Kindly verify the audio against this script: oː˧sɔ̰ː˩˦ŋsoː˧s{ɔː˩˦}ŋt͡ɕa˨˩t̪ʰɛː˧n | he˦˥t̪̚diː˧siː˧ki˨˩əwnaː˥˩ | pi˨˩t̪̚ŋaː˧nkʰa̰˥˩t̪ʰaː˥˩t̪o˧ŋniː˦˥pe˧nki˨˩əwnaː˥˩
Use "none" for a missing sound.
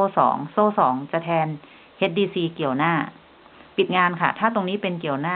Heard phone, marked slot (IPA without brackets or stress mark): ɔː˩˦